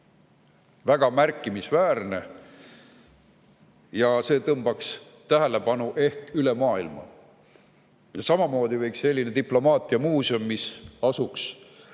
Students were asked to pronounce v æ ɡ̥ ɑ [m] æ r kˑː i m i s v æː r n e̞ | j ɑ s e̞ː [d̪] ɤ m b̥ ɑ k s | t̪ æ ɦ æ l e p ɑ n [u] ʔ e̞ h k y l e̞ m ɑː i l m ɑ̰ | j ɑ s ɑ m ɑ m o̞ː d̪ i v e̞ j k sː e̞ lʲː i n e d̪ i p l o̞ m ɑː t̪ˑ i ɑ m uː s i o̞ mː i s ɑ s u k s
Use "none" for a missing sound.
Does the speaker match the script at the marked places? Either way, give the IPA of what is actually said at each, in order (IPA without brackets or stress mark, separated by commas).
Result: m, t̪, u